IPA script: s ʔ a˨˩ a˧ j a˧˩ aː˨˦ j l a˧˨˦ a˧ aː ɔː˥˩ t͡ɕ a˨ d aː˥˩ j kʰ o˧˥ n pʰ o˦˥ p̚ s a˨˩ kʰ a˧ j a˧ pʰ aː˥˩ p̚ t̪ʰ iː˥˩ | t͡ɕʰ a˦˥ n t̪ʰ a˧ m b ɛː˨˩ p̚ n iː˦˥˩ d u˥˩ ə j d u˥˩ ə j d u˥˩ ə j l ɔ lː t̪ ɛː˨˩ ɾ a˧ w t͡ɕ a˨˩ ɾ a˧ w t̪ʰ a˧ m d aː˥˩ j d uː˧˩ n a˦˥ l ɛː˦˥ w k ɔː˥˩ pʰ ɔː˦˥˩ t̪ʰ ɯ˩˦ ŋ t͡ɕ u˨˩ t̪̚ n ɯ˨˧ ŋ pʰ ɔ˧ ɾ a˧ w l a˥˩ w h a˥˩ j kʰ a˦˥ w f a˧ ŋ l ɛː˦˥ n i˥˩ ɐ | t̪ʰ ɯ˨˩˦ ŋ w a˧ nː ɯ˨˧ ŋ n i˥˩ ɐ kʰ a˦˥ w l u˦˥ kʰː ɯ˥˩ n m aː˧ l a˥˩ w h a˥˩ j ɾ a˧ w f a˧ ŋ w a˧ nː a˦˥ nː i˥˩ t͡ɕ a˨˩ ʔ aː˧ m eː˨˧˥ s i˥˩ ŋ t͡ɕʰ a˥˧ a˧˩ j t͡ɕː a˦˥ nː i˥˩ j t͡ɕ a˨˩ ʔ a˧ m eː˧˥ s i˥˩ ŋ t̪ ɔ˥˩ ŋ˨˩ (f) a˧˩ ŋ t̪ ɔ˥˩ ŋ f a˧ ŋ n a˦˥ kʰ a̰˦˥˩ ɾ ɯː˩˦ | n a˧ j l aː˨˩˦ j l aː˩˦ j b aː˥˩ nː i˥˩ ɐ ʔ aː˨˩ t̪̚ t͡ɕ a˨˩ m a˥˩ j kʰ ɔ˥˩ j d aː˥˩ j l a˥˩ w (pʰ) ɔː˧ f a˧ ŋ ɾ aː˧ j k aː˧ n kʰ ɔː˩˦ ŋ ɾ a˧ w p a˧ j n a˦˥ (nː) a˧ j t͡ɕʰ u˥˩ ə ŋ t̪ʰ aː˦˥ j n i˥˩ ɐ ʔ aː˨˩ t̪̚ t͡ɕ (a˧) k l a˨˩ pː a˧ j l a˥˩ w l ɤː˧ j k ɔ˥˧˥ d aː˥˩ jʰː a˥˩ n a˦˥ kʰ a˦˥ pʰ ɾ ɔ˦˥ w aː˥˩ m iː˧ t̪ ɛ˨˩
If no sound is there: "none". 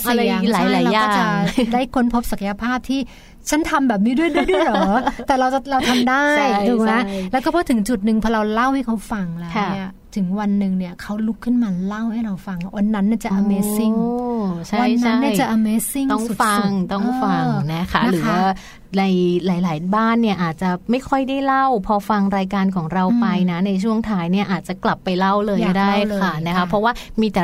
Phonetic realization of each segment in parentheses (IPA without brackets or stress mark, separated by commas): f, pʰ, n, a˨˩